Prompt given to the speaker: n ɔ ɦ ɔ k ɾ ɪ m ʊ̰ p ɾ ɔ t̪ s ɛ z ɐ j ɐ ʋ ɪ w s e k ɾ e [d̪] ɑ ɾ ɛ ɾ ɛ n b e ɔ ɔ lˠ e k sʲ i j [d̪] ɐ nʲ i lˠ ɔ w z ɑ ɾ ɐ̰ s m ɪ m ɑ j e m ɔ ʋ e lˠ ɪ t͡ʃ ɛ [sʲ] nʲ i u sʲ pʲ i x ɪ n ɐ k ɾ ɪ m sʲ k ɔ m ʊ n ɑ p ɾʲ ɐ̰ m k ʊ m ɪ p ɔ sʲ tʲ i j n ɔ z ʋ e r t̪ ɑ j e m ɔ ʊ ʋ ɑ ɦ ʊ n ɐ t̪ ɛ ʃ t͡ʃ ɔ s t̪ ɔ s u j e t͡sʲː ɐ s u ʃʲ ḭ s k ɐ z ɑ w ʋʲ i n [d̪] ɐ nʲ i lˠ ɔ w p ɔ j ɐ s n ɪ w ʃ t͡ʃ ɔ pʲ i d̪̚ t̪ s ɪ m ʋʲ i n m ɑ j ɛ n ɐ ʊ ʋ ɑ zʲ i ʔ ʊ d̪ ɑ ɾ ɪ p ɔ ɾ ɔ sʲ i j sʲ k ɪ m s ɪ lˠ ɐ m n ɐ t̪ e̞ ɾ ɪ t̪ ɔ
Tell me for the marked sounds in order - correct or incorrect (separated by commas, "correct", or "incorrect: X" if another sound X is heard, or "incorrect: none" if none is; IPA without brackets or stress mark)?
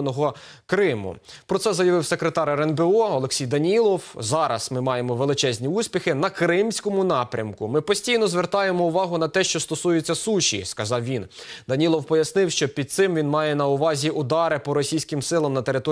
incorrect: t̪, correct, incorrect: zʲ, correct